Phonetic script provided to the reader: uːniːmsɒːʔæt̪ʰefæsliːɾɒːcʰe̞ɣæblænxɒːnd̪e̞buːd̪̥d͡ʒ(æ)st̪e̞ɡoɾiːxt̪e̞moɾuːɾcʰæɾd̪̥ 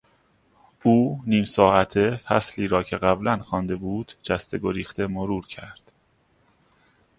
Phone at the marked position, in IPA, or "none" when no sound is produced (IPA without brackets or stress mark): æ